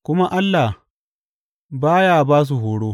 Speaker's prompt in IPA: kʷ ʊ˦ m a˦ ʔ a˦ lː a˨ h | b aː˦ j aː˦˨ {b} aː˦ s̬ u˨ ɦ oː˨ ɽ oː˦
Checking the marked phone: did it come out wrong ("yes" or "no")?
no